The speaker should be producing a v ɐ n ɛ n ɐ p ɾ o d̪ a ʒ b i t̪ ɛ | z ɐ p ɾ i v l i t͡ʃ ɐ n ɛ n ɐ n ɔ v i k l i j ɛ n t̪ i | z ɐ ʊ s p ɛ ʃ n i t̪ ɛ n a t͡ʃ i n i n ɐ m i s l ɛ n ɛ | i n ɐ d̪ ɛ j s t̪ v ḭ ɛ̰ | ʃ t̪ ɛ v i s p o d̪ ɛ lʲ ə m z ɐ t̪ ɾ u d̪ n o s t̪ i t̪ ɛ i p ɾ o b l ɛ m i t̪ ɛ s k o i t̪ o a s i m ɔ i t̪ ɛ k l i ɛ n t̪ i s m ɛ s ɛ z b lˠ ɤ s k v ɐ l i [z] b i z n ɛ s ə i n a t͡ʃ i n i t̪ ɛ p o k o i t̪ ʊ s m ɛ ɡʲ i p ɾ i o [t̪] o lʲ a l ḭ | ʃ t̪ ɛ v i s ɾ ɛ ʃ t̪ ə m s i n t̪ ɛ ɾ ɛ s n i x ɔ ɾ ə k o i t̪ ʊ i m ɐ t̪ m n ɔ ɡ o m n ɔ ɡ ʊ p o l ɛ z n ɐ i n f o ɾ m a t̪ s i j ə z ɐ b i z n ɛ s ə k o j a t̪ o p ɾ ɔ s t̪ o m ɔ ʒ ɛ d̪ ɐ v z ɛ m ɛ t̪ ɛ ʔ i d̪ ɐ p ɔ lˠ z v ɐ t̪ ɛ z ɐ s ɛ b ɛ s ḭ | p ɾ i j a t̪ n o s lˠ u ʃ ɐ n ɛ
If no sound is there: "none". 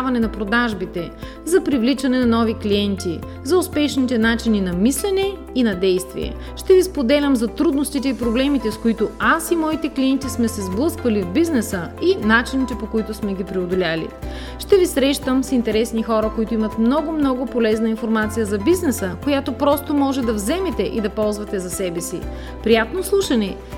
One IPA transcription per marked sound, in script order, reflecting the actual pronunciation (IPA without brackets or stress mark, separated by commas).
v, d̪